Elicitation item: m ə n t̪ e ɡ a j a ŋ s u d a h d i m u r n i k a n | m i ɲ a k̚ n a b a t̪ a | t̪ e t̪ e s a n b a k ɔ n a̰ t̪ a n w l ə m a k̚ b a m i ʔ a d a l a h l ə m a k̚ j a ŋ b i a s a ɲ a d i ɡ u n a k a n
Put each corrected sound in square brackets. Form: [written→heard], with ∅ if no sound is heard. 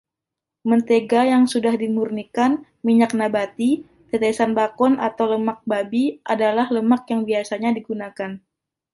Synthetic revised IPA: m ə n t̪ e ɡ a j a ŋ s u d a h d i m u r n i k a n | m i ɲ a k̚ n a b a t̪ [a→i] | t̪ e t̪ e s a n b a k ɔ n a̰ t̪ a [n→∅] w l ə m a k̚ b a [m→b] i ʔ a d a l a h l ə m a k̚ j a ŋ b i a s a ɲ a d i ɡ u n a k a n